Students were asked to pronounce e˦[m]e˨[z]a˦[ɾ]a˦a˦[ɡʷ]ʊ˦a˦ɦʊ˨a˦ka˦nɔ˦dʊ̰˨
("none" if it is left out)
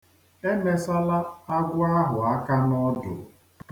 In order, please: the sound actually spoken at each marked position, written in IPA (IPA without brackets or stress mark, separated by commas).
m, s, l, ɡʷ